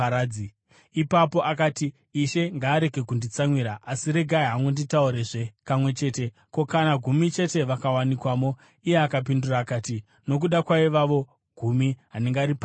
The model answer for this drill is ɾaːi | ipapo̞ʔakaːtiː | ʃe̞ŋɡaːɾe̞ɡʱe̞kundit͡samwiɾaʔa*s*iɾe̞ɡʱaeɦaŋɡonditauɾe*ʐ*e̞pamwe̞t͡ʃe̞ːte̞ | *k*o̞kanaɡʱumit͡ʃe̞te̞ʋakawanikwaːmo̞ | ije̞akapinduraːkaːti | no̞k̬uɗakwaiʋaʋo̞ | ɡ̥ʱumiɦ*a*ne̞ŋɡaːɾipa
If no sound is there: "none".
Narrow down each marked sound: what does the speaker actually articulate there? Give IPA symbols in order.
s, ʐ, k, a

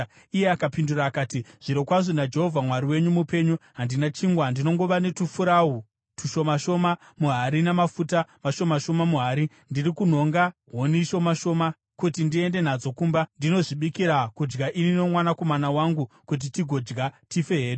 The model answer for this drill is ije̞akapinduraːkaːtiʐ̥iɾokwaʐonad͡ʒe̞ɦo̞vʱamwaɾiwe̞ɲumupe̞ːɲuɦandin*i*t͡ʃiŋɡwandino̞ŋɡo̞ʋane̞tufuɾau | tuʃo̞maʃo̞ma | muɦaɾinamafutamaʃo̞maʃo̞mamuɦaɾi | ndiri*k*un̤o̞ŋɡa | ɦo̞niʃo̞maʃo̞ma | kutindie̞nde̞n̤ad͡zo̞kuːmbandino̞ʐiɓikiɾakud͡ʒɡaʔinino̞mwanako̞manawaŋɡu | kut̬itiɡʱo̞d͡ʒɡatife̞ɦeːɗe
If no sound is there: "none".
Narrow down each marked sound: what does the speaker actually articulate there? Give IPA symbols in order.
a, k

